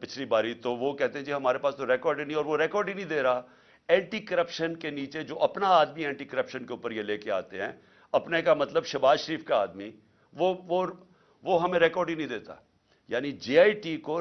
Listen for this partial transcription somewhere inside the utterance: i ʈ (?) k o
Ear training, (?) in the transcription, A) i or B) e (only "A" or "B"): A